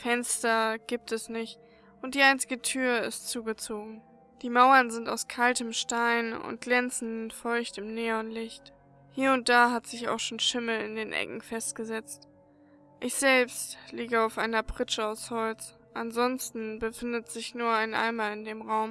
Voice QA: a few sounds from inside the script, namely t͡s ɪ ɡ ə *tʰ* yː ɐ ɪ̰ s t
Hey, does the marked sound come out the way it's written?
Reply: yes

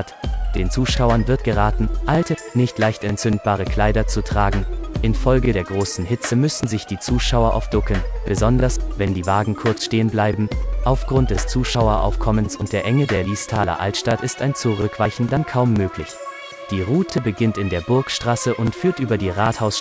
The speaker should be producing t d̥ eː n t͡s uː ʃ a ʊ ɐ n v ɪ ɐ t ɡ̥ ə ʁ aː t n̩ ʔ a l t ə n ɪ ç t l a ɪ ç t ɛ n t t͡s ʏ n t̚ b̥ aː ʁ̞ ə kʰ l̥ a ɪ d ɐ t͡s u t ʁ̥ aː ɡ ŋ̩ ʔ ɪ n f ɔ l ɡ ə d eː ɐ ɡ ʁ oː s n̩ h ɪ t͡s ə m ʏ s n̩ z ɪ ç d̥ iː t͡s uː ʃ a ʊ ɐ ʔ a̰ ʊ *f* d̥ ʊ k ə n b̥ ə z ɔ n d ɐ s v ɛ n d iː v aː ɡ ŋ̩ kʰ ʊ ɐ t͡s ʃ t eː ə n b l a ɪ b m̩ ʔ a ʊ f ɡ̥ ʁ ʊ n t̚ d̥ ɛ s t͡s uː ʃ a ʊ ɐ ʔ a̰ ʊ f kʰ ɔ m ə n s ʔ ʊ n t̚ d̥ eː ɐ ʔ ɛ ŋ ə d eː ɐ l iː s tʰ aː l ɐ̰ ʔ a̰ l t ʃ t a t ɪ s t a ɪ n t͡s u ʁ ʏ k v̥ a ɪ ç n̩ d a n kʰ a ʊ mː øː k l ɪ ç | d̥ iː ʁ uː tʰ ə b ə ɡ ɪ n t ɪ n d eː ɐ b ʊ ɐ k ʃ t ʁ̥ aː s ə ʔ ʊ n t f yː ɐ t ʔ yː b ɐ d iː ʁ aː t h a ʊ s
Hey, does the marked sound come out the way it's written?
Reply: yes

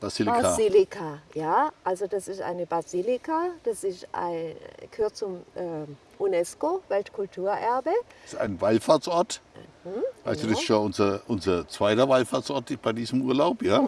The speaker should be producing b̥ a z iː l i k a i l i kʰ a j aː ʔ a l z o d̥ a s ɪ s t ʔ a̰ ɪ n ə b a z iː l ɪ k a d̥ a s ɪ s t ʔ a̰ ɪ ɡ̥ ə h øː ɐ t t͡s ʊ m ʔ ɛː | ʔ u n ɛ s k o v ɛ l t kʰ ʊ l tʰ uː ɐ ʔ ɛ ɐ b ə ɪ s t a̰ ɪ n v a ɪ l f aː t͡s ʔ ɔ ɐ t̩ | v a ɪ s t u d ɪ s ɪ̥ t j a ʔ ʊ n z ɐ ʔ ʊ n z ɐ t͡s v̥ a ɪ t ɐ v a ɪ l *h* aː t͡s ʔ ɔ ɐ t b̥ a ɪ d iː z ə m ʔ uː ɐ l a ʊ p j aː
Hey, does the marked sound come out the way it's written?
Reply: no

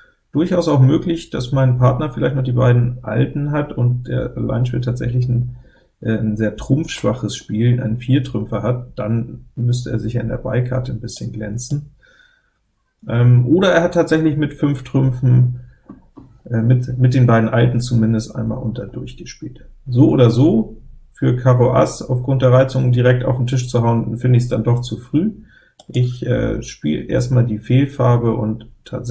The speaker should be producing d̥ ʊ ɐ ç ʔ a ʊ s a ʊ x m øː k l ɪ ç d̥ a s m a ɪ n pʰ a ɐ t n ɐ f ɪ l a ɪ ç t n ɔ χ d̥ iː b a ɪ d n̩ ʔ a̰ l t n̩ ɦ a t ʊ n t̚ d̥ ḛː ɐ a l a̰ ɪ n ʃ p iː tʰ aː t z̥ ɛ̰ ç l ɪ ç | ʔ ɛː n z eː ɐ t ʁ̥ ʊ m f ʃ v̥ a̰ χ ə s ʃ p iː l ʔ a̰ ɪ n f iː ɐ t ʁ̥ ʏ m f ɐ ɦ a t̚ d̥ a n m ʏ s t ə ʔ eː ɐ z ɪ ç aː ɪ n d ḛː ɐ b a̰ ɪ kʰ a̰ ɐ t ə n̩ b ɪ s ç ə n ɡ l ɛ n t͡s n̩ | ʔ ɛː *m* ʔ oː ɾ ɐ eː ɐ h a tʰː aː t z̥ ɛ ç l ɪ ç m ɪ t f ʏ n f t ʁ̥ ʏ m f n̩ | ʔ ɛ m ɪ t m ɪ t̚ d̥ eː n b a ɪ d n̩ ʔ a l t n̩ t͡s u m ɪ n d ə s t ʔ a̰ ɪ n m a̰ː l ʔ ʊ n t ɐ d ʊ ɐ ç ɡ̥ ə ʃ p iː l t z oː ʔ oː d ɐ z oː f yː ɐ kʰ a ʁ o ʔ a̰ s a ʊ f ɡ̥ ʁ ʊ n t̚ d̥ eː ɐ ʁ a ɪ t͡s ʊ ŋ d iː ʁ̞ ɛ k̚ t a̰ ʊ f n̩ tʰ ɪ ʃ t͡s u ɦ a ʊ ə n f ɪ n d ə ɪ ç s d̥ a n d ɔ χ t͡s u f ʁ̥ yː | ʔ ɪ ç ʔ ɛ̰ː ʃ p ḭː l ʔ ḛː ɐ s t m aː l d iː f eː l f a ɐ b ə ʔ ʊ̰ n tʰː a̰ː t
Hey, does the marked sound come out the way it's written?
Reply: yes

